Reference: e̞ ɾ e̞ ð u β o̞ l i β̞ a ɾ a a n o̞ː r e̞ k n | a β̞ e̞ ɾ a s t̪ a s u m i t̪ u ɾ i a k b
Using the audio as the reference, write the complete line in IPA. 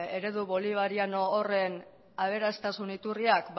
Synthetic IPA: e̞ ɾ e̞ ð u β o̞ l i β̞ a ɾ i a n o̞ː r e̞ n | a β̞ e̞ ɾ a s t̪ a s u n i t̪ u r i a k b